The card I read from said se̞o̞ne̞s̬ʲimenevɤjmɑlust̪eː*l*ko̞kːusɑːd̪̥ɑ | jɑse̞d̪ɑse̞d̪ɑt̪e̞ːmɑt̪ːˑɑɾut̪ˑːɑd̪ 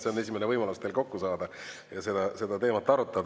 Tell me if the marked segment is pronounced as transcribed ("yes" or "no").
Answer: yes